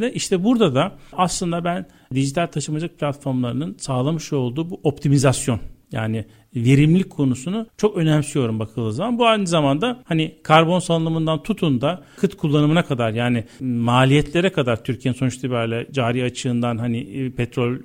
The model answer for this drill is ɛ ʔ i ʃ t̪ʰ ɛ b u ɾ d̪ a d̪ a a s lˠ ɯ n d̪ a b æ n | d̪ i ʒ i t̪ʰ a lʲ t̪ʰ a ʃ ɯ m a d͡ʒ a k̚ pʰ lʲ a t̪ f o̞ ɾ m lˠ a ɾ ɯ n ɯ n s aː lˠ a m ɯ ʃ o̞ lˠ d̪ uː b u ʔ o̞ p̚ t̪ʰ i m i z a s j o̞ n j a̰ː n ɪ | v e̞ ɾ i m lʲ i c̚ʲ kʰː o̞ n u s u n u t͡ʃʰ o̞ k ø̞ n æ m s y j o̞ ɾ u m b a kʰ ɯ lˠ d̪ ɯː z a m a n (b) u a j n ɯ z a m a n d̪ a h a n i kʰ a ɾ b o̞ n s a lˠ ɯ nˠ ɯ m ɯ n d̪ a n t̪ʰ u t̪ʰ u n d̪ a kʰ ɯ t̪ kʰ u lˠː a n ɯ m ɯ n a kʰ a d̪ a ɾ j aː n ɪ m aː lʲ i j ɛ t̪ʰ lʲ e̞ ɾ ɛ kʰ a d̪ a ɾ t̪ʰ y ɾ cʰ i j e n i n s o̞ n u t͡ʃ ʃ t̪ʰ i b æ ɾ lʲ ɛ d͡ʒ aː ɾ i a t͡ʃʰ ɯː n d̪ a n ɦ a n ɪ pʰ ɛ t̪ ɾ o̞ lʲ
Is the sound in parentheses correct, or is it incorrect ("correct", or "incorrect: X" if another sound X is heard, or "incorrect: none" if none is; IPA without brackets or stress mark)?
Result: correct